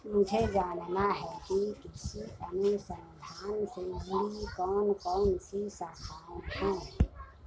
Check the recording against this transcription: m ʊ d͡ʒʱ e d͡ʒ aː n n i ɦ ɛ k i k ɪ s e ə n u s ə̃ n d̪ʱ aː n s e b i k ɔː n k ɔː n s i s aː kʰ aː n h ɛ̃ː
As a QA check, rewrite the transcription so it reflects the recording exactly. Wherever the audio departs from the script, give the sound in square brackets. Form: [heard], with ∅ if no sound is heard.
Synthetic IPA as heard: m ʊ d͡ʒʱ e d͡ʒ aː n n [a] ɦ ɛ k i k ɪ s [i] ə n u s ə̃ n d̪ʱ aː n s e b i k ɔː n k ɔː n s i s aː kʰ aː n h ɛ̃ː